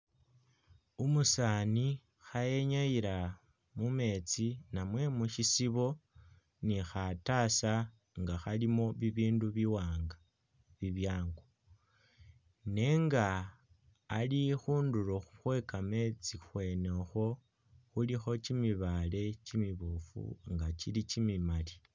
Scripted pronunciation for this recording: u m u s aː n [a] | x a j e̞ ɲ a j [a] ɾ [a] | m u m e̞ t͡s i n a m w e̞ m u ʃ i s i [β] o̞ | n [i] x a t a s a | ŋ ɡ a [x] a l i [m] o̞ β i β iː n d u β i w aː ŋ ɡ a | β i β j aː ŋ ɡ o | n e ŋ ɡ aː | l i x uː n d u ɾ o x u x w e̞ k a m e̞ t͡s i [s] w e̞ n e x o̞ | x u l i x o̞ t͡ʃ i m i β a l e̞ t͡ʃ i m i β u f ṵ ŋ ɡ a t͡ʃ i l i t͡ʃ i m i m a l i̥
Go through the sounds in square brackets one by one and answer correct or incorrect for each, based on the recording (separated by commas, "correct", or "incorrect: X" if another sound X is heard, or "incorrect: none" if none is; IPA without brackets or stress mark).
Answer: incorrect: i, incorrect: i, correct, correct, correct, correct, correct, incorrect: x